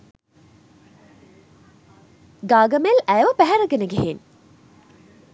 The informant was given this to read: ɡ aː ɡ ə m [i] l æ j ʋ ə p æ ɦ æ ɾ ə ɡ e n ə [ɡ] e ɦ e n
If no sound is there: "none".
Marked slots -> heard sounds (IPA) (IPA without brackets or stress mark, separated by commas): e, ɡ